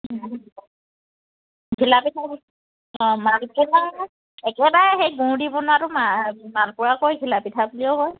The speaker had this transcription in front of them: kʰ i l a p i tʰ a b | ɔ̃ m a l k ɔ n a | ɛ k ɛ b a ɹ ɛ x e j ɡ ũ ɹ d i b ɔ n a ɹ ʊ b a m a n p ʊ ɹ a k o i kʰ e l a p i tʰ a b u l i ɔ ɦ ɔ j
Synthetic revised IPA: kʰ i l a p i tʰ a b | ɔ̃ m a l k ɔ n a | ɛ k ɛ b a ɹ ɛ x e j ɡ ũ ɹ d i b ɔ n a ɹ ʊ m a m a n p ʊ ɹ a k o j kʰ i l a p i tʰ a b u l i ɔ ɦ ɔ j